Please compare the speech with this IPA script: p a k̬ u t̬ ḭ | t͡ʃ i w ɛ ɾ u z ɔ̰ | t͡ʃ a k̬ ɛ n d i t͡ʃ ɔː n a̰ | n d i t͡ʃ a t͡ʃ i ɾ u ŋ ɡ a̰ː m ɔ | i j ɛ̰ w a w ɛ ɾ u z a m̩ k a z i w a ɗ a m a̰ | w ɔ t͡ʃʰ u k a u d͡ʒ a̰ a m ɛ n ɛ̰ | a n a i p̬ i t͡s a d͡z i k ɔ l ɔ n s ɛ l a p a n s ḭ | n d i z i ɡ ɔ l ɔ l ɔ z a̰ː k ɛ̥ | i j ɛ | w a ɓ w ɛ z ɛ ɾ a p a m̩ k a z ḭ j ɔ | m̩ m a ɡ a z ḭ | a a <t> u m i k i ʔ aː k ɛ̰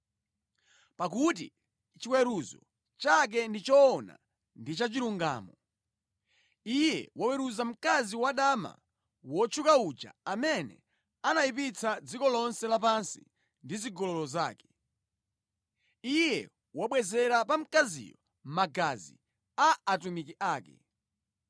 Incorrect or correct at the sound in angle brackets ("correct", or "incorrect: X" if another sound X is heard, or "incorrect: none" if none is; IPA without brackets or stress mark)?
correct